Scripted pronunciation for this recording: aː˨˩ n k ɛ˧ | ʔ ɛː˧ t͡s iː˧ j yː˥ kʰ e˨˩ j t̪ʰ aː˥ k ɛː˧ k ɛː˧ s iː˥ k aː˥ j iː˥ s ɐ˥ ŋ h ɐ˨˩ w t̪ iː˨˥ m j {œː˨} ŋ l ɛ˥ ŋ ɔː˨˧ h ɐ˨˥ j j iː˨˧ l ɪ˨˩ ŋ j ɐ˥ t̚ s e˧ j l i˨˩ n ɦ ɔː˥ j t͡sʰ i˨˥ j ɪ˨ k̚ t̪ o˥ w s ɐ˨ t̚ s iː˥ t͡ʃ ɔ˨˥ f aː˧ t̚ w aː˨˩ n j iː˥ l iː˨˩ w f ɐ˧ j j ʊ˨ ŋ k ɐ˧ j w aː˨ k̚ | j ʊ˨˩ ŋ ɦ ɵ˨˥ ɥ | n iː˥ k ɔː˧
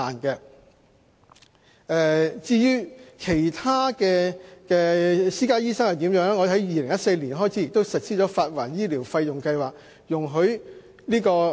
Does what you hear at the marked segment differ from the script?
yes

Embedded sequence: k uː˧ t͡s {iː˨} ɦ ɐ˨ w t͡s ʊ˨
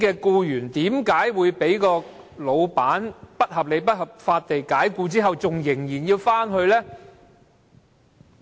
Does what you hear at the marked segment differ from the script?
yes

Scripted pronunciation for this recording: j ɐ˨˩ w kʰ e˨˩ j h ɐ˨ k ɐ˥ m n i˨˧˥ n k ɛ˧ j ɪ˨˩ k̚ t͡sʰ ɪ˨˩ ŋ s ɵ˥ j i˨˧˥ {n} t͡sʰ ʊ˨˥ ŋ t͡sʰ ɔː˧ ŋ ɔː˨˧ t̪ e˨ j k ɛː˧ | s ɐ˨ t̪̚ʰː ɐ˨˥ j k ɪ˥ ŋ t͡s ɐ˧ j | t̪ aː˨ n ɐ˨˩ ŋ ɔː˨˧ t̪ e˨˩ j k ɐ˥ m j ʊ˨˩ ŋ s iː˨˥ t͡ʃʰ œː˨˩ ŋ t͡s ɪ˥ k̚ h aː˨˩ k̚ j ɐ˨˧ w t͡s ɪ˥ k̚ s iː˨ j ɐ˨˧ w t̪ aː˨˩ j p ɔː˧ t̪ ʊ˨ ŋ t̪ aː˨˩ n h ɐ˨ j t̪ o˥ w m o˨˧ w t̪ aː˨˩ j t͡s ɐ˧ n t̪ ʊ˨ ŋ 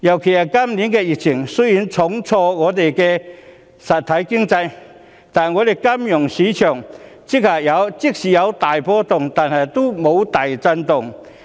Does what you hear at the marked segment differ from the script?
no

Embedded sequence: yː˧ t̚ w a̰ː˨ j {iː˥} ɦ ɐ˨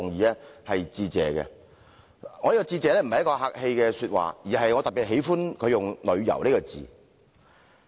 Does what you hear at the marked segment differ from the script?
yes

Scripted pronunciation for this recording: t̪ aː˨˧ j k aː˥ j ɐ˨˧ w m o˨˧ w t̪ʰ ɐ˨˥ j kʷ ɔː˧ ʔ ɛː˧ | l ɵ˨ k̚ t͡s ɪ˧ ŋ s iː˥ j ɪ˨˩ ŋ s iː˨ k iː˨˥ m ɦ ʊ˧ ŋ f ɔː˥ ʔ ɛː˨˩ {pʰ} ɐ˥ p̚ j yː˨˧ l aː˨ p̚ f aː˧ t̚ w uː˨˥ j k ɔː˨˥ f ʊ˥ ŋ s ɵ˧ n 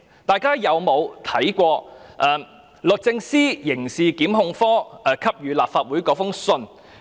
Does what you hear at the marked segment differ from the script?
yes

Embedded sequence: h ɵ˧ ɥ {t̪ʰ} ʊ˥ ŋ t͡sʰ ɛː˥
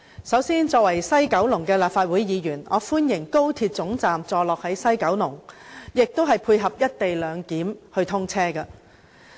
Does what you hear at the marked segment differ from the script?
no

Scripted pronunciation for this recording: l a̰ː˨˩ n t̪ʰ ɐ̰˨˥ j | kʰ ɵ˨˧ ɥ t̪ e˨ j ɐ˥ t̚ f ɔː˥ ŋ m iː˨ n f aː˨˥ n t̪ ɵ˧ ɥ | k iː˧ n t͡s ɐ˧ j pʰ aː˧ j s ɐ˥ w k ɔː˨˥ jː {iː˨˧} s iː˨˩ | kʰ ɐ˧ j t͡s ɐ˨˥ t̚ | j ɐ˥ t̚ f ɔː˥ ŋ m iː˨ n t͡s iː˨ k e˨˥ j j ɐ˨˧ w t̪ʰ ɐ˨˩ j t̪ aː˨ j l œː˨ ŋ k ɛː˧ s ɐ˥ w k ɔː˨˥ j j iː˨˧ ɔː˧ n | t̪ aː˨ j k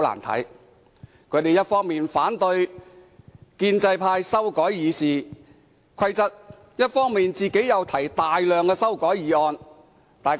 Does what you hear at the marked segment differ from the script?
no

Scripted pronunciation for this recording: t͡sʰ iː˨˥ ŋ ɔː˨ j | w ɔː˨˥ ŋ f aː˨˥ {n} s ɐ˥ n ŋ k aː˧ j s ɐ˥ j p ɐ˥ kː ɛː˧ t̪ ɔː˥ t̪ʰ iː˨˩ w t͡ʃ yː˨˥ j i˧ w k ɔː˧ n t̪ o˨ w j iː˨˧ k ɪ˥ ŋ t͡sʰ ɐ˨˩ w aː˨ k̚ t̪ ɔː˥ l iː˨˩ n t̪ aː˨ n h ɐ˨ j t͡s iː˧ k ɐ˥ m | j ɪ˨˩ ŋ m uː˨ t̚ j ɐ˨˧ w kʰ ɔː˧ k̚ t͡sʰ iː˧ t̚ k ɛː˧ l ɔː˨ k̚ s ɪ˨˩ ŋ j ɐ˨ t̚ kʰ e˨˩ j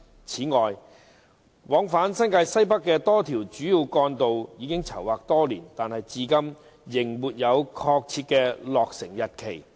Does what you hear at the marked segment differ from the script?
no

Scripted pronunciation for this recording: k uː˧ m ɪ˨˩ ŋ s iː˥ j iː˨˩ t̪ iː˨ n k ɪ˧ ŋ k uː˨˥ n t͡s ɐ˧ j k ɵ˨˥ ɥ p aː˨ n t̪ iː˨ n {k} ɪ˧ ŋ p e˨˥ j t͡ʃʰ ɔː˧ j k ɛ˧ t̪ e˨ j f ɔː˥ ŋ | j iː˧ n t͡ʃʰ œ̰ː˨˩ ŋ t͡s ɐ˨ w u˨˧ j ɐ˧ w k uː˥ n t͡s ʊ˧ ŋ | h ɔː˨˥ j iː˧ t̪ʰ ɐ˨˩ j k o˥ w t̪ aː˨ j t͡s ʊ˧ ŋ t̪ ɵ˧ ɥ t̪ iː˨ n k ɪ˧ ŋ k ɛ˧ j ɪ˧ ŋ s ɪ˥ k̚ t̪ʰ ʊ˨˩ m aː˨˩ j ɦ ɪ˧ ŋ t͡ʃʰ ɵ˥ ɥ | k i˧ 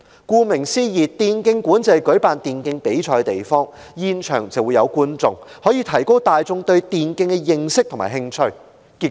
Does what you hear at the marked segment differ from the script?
no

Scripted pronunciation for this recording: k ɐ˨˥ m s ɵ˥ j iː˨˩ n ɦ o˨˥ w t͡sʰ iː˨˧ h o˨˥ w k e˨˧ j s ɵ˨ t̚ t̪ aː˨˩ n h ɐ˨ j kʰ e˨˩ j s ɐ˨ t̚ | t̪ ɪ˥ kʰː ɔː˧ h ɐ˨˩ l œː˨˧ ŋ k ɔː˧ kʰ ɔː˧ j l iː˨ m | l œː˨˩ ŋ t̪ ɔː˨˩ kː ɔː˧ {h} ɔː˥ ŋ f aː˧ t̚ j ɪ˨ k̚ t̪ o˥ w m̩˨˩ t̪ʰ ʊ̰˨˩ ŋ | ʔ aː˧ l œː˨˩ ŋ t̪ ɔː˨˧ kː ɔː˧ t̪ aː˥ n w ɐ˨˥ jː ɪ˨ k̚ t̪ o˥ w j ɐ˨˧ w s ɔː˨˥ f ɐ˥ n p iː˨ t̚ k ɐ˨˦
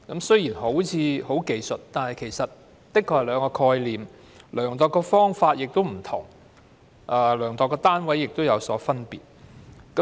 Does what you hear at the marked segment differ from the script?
yes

